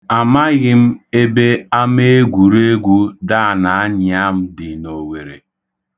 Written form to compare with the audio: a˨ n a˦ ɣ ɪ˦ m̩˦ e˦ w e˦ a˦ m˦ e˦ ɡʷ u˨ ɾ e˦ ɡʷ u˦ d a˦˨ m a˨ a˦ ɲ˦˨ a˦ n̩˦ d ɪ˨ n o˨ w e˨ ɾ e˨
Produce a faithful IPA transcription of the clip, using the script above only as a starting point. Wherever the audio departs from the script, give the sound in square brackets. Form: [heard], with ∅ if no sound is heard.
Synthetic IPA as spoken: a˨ [m] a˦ ɣ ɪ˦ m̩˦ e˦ [b] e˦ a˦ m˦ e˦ ɡʷ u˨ ɾ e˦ ɡʷ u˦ d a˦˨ [n] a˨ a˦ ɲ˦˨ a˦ [m̩˦] d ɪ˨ n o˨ w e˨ ɾ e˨

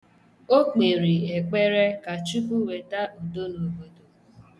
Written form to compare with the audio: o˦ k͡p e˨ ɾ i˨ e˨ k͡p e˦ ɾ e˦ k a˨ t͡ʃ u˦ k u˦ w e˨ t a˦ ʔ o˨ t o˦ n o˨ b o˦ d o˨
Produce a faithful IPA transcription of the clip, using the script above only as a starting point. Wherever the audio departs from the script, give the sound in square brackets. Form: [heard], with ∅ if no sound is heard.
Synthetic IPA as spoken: o˦ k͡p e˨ ɾ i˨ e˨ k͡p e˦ ɾ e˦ k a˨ t͡ʃ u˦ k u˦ w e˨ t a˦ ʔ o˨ [d] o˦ n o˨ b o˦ d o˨

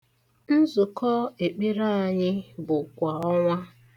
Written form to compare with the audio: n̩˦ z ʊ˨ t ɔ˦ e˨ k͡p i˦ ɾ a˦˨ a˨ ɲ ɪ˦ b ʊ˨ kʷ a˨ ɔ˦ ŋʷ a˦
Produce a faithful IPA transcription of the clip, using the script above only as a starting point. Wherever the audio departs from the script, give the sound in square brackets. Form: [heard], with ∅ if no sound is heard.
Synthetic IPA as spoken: n̩˦ z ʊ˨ [k] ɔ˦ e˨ k͡p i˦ ɾ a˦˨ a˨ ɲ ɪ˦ b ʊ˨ kʷ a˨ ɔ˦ ŋʷ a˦

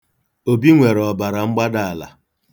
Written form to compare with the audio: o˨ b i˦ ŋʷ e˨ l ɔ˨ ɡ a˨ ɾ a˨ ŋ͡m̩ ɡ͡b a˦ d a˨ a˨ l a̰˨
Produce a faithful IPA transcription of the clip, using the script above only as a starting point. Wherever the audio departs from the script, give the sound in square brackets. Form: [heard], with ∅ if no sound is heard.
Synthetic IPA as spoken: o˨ b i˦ ŋʷ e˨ [ɾ] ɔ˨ [b] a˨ ɾ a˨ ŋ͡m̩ ɡ͡b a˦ d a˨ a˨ l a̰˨

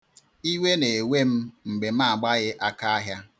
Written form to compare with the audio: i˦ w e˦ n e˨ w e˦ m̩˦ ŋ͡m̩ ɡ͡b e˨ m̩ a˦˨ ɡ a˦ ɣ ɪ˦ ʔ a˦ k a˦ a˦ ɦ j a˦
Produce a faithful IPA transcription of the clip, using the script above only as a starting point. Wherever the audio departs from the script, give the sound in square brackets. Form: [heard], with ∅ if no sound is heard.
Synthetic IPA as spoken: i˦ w e˦ n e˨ w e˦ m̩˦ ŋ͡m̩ ɡ͡b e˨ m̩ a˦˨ [ɡ͡b] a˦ ɣ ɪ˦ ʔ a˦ k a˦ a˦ ɦ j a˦

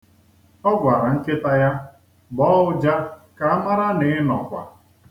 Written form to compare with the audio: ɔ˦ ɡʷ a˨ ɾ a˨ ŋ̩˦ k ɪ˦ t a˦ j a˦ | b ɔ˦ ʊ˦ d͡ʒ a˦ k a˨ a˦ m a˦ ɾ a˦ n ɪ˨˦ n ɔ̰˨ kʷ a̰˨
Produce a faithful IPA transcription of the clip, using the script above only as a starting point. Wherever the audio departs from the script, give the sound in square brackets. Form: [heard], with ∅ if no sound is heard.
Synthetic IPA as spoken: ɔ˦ ɡʷ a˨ ɾ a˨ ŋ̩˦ k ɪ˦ t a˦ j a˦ | b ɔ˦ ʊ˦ d͡ʒ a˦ k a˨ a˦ m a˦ ɾ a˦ n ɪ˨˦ n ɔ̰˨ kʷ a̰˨

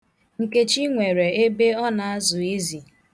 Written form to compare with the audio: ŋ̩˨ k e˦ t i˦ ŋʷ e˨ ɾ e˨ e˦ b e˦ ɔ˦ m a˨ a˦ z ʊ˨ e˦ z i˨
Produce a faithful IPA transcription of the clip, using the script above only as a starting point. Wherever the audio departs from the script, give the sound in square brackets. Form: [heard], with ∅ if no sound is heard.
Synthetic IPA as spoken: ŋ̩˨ k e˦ [t͡ʃ] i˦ ŋʷ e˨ ɾ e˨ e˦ b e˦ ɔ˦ [n] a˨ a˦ z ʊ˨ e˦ z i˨

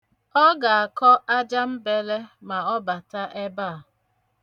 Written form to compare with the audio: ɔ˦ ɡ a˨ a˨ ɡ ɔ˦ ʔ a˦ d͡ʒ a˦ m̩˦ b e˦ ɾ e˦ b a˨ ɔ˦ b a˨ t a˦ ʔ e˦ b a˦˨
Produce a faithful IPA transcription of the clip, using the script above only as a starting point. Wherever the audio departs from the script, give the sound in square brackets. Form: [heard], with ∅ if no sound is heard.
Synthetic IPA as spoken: ɔ˦ ɡ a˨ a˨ [k] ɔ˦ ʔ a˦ d͡ʒ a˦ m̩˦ b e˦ [l] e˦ [m] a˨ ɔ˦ b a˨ t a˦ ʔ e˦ b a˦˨

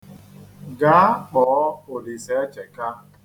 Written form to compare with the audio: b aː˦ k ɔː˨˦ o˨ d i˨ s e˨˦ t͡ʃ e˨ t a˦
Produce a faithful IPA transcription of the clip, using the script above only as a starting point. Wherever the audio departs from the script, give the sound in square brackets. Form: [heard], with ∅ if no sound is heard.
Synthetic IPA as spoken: [ɡ] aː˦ [k͡p] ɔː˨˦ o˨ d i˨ s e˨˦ t͡ʃ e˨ [k] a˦

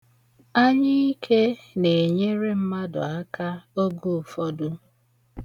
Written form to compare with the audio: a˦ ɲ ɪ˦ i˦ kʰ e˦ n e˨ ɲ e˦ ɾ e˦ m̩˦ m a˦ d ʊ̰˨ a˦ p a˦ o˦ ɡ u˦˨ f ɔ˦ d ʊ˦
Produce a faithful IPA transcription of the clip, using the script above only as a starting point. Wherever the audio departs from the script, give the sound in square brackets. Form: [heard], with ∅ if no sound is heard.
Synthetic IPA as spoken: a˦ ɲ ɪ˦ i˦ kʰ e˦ n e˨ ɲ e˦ ɾ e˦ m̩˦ m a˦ d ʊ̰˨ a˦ [k] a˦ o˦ ɡ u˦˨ f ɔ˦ d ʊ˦

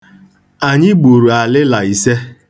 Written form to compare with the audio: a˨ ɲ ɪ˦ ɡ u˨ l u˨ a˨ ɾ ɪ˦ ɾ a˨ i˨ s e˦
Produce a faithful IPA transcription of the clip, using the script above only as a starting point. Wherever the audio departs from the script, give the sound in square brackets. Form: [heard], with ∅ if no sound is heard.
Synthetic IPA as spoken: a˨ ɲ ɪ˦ [ɡ͡b] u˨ [ɾ] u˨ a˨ [l] ɪ˦ [l] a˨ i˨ s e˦

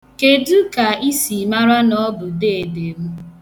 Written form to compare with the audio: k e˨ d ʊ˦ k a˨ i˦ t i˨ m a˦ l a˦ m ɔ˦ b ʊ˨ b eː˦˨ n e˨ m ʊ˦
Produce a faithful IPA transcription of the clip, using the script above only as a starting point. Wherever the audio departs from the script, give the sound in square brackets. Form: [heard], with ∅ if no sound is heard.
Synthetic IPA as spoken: k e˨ d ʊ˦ k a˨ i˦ [s] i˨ m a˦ [ɾ] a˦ [n] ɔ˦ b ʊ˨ [d] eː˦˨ [d] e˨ m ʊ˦

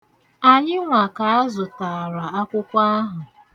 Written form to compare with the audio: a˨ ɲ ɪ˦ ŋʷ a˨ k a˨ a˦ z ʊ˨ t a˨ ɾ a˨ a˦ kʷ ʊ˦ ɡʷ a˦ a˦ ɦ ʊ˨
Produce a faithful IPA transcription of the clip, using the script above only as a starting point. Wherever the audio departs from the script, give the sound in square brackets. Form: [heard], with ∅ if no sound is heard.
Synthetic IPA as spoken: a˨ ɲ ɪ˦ ŋʷ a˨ k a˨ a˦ z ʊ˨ t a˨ ɾ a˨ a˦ kʷ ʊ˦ [kʷ] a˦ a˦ ɦ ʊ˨

